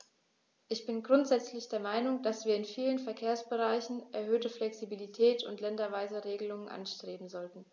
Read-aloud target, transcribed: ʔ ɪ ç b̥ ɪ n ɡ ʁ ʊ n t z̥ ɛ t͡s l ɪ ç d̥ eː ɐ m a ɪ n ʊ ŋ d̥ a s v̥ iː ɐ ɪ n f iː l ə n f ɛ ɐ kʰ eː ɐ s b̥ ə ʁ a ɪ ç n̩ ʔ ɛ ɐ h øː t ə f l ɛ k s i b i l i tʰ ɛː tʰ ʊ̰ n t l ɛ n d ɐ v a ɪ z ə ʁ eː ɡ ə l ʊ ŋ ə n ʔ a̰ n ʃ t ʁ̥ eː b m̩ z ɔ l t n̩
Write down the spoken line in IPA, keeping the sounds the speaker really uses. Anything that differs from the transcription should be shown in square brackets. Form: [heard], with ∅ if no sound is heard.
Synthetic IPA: ʔ ɪ ç b̥ ɪ n ɡ ʁ ʊ n t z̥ ɛ t͡s l ɪ ç d̥ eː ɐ m a ɪ n ʊ ŋ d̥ a s v̥ iː ɐ ɪ n f iː l ə n f ɛ ɐ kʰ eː ɐ s b̥ ə ʁ a ɪ ç n̩ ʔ ɛ ɐ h øː t ə f l ɛ k s i b i l i tʰ ɛː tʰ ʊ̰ n t l ɛ n d ɐ v a ɪ z ə ʁ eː ɡ ə l ʊ ŋ ə n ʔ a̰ n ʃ t ʁ̥ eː b m̩ z ɔ l t n̩